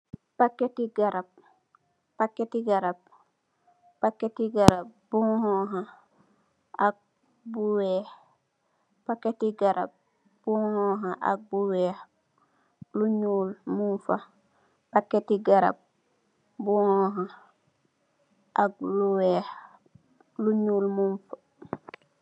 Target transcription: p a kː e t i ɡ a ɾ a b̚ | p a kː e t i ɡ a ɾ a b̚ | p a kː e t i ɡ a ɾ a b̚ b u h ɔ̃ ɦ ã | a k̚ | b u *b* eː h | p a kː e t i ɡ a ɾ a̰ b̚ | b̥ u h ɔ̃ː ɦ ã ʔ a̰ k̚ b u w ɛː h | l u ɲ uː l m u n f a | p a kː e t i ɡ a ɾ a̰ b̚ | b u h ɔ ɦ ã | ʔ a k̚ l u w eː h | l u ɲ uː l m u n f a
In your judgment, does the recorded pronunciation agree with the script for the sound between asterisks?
no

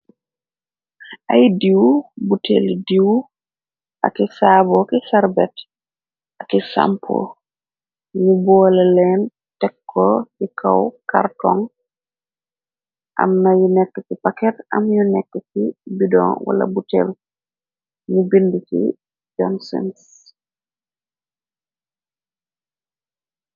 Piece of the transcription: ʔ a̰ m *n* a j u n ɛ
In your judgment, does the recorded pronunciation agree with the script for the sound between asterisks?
yes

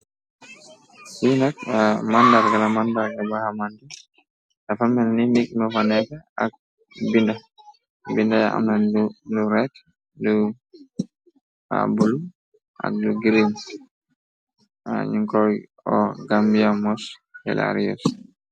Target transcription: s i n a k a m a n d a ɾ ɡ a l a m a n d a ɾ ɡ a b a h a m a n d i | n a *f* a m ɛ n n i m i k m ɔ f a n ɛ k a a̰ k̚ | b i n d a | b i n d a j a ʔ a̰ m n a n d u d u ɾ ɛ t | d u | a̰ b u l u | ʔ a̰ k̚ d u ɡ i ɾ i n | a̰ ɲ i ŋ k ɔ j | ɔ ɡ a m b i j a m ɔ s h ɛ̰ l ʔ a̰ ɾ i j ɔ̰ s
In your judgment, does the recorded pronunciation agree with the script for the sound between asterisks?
yes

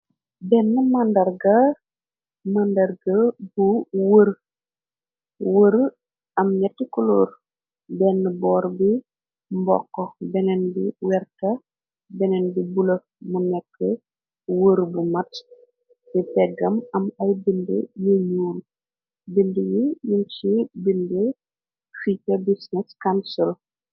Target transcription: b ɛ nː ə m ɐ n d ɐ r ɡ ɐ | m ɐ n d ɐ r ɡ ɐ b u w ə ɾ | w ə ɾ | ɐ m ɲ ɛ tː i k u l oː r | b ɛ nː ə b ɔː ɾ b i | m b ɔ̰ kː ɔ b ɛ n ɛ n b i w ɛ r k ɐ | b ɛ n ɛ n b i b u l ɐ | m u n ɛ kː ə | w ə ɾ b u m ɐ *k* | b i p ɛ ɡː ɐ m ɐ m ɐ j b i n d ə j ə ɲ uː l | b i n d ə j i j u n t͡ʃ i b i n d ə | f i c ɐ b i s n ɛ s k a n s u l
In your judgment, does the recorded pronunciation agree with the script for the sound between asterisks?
no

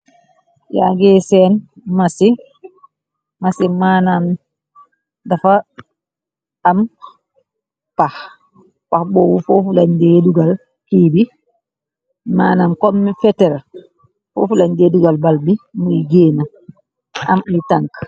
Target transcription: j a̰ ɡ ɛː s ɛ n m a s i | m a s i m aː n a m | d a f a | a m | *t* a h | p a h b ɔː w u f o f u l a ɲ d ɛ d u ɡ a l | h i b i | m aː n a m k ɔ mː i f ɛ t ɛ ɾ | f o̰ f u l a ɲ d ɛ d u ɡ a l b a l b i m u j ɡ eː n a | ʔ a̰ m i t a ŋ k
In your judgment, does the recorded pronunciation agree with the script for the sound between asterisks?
no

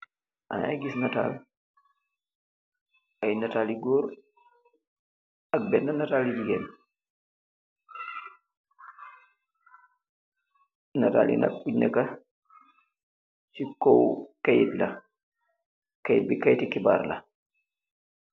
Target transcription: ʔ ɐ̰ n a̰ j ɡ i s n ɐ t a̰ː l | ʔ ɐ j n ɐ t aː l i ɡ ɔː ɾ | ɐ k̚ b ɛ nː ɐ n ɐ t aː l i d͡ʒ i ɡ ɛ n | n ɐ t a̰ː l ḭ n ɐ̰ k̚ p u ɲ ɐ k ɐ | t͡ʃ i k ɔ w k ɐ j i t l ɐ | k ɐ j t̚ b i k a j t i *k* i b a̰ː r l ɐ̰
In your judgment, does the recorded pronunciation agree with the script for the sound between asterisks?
yes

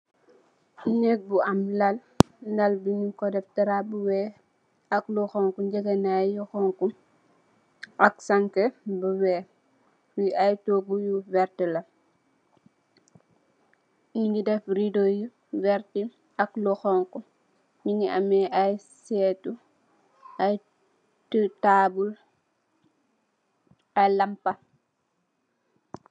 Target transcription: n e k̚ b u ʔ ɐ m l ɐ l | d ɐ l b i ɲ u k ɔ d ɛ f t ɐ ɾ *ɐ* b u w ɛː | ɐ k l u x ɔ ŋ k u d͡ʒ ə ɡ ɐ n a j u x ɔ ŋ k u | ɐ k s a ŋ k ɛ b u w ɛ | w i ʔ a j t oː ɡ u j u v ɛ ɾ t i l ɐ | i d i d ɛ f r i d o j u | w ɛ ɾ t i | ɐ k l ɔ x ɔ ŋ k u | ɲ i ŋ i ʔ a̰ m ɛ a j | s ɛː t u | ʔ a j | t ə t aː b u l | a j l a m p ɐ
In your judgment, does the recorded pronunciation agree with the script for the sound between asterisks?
no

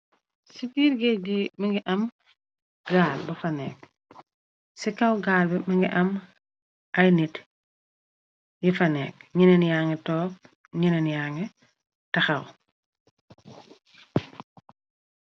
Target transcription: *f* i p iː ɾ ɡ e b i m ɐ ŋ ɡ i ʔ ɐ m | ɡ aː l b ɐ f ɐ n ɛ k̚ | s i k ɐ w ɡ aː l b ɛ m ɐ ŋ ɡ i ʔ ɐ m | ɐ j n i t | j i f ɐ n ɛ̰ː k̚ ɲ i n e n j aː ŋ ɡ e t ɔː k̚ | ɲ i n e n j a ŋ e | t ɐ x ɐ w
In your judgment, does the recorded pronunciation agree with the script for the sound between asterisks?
no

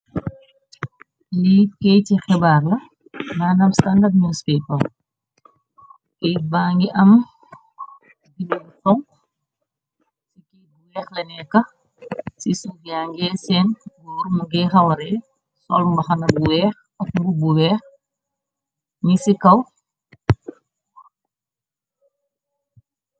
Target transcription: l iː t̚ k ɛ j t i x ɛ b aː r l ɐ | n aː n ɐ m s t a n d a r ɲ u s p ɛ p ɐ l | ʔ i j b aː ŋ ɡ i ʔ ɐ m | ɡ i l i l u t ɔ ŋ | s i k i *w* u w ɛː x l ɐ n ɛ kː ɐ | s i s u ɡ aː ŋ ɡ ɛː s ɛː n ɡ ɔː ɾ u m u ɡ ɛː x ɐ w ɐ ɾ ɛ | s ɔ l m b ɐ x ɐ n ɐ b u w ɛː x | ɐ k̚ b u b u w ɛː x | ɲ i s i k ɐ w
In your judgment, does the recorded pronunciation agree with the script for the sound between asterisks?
no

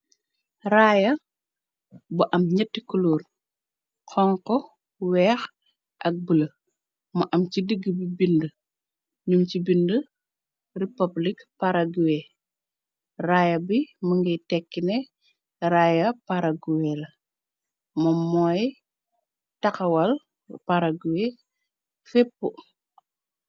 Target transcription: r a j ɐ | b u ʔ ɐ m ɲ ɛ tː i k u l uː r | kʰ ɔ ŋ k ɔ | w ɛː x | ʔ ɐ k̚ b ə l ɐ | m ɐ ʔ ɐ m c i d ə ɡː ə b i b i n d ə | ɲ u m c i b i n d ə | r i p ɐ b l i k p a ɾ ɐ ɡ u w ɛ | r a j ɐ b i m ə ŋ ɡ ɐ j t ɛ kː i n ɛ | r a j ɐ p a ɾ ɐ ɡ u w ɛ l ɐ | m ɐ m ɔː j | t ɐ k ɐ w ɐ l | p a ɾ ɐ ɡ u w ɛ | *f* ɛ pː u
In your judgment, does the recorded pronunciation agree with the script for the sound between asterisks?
yes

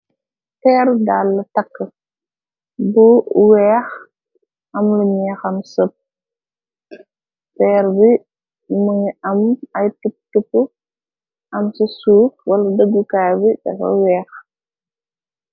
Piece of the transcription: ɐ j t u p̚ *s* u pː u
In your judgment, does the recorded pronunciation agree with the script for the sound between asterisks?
no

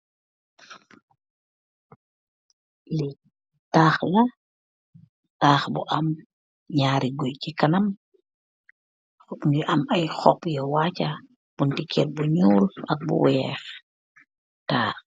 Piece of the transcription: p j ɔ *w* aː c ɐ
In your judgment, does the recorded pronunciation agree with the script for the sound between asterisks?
yes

